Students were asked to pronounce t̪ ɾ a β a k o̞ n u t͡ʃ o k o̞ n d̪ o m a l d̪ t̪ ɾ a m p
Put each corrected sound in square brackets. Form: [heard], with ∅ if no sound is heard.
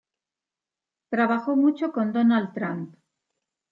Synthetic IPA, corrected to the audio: t̪ ɾ a β a [x] o̞ [m] u t͡ʃ o k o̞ n d̪ o [n] a l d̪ t̪ ɾ a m p